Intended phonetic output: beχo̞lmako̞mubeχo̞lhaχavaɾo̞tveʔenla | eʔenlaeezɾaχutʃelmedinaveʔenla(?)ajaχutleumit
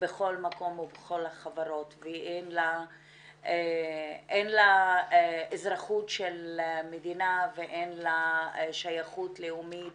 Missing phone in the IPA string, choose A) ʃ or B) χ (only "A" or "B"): A